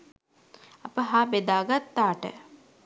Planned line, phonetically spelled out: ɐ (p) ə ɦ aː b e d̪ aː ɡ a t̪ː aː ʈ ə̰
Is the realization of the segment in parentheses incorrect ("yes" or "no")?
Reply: no